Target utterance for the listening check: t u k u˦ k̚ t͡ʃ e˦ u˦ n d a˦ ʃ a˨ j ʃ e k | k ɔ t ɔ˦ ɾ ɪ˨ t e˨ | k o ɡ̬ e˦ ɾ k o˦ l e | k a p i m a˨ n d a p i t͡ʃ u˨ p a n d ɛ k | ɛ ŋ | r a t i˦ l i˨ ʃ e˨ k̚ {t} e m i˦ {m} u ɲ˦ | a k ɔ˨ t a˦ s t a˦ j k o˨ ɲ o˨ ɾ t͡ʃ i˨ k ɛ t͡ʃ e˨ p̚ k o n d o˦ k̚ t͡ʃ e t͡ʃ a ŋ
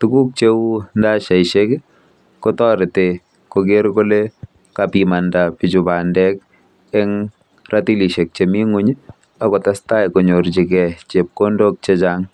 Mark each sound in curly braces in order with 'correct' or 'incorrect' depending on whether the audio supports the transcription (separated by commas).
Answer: incorrect, incorrect